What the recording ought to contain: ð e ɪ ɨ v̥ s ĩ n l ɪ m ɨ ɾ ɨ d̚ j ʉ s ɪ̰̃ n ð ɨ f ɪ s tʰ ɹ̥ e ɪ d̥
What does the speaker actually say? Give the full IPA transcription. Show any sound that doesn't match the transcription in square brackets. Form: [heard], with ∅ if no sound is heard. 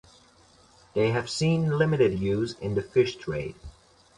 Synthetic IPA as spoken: ð e ɪ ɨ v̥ s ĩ n l ɪ m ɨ ɾ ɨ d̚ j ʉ [z] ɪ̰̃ n ð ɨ f ɪ [ʃ] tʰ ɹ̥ e ɪ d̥

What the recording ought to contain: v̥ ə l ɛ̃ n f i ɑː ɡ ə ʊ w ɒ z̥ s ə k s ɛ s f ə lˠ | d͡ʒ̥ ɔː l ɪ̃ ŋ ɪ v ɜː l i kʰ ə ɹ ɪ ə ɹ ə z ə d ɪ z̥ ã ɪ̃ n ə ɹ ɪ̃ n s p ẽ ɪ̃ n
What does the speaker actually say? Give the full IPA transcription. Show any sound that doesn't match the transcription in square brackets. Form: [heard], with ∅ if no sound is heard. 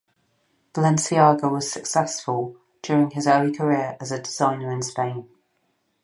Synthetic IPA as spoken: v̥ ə l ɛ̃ n [s] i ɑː ɡ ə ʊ w ɒ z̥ s ə k s ɛ s f ə lˠ | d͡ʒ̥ ɔː [ɹ] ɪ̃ ŋ ɪ [z] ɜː l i kʰ ə ɹ ɪ ə ɹ ə z ə d ɪ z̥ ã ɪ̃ n ə ɹ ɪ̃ n s p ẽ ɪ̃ n

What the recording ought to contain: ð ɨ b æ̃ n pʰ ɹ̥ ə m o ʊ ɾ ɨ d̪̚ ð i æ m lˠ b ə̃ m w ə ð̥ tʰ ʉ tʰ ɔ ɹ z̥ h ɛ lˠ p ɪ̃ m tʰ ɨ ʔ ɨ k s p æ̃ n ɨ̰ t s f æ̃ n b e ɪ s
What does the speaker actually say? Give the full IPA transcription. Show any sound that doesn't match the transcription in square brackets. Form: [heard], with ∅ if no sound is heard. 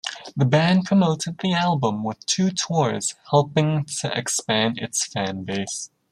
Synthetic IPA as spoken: ð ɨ b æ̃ n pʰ ɹ̥ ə m o ʊ ɾ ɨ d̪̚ ð i æ [∅] lˠ b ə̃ m w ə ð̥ tʰ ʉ tʰ ɔ ɹ z̥ h ɛ lˠ p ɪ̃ [ŋ] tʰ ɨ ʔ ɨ k s p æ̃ n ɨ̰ t s f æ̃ n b e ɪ s

